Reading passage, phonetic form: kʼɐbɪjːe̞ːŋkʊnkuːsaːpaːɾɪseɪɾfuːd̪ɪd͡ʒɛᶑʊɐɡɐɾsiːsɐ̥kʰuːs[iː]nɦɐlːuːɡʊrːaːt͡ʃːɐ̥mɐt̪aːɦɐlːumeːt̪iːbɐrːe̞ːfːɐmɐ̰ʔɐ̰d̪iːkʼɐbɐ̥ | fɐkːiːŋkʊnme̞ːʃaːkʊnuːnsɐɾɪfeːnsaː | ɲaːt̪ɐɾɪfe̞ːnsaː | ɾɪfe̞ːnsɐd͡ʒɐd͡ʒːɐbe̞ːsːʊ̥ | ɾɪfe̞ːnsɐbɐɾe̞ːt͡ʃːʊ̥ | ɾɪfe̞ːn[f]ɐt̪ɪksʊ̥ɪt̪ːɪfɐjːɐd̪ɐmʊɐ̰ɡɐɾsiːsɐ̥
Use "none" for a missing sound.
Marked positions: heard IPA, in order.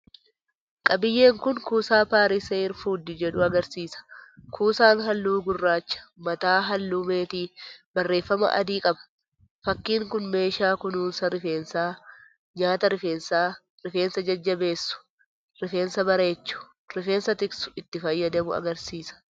aː, s

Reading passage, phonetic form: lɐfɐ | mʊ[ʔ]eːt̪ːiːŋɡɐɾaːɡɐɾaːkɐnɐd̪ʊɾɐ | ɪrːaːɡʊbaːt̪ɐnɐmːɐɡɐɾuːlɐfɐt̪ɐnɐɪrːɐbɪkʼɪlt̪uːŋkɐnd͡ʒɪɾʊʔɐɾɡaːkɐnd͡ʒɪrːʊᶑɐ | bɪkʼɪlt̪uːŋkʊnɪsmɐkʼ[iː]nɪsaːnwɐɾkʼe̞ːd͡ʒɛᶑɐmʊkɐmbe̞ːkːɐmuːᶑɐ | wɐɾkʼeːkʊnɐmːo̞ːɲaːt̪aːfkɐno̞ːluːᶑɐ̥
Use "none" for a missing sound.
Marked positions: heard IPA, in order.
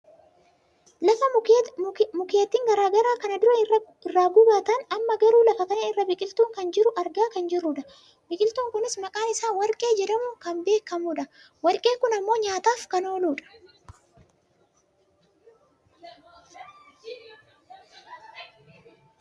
k, aː

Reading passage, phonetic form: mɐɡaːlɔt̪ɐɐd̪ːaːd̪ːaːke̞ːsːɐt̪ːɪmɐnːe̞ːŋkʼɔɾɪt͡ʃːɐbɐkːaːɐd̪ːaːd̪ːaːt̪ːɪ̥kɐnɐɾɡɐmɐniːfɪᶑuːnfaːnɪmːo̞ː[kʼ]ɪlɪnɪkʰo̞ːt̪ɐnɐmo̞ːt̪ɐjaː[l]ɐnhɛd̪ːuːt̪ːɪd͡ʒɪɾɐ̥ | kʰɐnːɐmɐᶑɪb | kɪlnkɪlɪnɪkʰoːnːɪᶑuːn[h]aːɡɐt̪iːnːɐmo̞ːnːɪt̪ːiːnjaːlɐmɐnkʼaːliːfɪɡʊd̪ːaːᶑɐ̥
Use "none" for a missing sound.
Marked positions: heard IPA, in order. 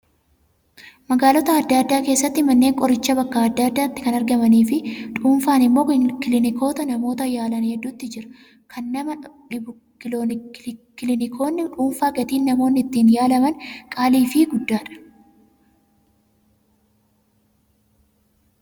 k, l, f

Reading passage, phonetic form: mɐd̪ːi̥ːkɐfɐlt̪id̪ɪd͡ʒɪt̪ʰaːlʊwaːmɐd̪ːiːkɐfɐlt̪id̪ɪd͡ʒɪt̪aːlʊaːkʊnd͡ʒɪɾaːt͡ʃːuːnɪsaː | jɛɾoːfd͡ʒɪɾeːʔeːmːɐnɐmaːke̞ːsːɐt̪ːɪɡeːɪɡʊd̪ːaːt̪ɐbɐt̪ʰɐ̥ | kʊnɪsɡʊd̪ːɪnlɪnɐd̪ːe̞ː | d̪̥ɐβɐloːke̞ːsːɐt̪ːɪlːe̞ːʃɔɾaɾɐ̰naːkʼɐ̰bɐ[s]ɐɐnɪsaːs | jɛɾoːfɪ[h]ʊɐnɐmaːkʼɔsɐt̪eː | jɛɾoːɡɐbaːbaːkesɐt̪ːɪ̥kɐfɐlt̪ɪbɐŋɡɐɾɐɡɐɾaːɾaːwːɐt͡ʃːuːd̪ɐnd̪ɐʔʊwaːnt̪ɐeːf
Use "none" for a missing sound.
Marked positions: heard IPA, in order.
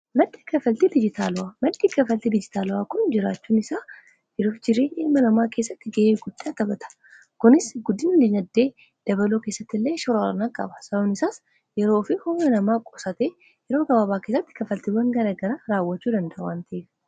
s, h

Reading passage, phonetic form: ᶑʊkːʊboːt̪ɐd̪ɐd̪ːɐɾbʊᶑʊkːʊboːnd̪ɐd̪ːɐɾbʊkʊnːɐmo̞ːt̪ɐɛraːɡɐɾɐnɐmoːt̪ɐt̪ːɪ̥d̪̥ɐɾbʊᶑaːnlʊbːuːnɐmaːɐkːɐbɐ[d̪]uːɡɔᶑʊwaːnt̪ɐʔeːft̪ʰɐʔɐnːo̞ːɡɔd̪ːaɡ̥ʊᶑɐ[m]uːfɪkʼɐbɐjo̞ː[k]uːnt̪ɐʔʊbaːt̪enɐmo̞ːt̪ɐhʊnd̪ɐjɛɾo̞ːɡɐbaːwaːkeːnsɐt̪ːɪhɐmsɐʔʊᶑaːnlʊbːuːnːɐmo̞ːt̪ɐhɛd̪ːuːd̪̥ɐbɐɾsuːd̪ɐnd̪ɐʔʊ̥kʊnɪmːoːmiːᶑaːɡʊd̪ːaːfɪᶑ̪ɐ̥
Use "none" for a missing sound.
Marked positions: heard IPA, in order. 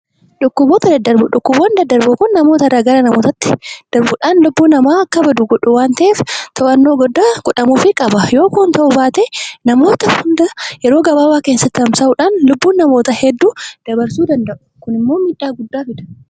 d̪, m, k

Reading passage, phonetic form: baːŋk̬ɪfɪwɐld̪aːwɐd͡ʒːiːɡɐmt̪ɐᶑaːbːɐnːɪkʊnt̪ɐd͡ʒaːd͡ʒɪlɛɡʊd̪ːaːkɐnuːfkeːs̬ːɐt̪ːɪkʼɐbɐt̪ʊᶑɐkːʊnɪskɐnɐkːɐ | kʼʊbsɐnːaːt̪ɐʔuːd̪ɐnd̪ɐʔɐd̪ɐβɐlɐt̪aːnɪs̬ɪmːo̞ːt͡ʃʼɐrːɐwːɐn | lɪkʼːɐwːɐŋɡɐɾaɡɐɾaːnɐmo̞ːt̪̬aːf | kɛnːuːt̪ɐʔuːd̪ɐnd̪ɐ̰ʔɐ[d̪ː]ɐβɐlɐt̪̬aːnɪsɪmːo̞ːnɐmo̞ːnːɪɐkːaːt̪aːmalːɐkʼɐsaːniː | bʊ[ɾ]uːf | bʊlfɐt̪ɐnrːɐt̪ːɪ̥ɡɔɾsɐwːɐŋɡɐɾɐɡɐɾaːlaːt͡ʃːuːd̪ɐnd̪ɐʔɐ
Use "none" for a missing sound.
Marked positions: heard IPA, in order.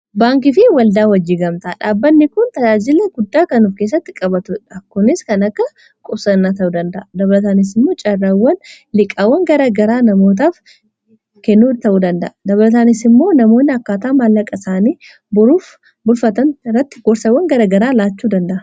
d̪, ɾ

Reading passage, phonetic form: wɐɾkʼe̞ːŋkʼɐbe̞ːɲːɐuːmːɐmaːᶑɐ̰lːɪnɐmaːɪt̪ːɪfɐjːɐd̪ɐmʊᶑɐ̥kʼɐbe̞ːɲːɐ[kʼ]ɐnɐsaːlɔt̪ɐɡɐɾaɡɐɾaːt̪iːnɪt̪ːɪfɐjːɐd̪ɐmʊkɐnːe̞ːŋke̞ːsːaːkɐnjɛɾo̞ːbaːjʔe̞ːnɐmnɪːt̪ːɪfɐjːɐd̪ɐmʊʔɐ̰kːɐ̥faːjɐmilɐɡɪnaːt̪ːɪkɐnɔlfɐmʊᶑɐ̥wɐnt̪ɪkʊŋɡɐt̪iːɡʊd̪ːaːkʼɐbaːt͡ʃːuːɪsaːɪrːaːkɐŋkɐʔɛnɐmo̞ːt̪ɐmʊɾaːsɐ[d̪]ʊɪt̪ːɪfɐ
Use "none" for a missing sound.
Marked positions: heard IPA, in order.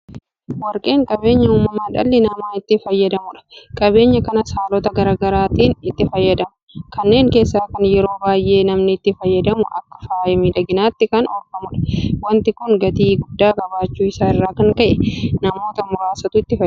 k, t̪

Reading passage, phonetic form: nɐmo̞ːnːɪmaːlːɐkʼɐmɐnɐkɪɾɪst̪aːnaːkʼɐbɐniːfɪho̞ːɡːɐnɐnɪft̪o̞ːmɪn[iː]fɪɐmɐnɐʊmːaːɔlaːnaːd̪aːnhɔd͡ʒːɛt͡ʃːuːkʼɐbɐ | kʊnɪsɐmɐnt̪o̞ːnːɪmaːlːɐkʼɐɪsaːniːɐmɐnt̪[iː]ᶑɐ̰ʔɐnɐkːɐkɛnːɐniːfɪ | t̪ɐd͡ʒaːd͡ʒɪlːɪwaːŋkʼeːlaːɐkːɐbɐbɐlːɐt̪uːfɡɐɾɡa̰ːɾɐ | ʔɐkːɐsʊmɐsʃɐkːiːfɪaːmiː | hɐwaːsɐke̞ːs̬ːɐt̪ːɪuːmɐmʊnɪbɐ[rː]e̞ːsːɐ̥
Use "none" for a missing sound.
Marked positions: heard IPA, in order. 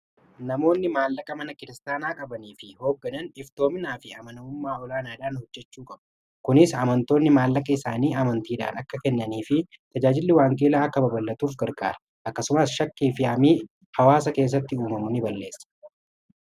aː, iː, lː

